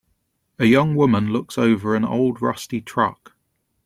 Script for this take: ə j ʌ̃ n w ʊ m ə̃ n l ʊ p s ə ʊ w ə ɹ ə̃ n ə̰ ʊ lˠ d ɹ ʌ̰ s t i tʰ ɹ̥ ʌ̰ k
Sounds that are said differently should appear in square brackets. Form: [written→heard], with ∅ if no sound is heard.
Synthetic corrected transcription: ə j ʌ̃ [n→ŋ] w ʊ m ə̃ n l ʊ [p→k] s ə ʊ [w→v] ə ɹ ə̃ n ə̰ ʊ lˠ d ɹ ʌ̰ s t i tʰ ɹ̥ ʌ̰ k